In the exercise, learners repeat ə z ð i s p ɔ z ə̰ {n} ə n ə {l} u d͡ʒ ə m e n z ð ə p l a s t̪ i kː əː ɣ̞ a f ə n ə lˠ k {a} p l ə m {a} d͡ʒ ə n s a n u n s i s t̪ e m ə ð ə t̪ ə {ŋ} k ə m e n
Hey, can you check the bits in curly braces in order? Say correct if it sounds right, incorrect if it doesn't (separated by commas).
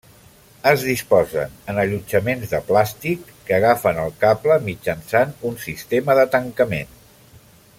correct, incorrect, correct, incorrect, correct